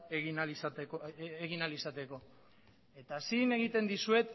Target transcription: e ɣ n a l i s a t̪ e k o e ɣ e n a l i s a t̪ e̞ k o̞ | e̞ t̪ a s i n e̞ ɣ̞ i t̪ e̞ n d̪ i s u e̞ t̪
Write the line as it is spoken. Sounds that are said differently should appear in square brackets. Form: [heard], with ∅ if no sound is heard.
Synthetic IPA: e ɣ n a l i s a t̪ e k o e ɣ [i] n a l i s a t̪ e̞ k o̞ | e̞ t̪ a s i n e̞ ɣ̞ i t̪ e̞ n d̪ i s u e̞ t̪